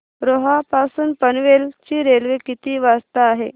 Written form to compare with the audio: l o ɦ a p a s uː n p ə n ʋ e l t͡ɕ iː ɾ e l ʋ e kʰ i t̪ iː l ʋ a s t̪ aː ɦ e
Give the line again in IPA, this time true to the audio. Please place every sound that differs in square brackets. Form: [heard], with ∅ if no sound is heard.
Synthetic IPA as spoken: [ɾ] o ɦ a p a s uː n p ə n ʋ e l t͡ɕ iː ɾ e l ʋ e [k] i t̪ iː [∅] ʋ a s t̪ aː ɦ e